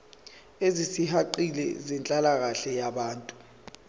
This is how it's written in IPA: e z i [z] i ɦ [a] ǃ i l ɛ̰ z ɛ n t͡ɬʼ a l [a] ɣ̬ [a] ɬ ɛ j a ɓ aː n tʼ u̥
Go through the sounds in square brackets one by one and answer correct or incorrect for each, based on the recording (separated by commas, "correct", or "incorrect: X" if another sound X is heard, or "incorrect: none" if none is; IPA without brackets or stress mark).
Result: incorrect: s, correct, correct, correct